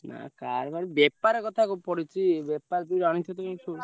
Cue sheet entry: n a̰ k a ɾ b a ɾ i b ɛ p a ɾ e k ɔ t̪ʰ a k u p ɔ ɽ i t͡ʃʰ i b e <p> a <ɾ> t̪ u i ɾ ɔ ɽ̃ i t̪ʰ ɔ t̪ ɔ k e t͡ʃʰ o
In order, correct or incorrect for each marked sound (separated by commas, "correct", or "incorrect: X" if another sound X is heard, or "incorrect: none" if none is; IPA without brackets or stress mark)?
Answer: correct, correct